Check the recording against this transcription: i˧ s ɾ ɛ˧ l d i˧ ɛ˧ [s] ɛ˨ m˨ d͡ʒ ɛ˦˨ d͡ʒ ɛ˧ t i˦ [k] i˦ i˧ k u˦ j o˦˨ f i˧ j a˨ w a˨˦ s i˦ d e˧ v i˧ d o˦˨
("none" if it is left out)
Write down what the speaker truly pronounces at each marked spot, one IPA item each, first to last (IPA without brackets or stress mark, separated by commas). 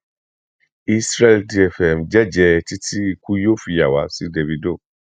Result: f, t